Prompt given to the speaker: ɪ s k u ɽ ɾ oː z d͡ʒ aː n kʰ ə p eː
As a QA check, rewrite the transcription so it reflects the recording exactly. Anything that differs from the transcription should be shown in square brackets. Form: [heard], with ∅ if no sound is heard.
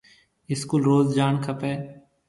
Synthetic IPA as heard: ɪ s k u [l] ɾ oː z d͡ʒ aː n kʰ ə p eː